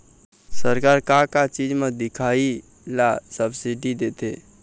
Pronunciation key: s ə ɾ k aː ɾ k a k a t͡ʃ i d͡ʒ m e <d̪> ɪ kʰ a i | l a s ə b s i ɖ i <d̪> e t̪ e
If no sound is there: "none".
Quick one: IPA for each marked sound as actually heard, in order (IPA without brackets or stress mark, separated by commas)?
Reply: d̪, d̪